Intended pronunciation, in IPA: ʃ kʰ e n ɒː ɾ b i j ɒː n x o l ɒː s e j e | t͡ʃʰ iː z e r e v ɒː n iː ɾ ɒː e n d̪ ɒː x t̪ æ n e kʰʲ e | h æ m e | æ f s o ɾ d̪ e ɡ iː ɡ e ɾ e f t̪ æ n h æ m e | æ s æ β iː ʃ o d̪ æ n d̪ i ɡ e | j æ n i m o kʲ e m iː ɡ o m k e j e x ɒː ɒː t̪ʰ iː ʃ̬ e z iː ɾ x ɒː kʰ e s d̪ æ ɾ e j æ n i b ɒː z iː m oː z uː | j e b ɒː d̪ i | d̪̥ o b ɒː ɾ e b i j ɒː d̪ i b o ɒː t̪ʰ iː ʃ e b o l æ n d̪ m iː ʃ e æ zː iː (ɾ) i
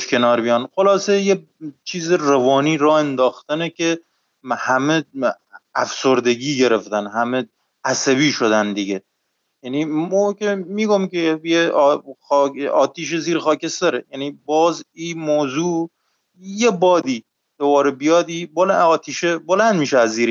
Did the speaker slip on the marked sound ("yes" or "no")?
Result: no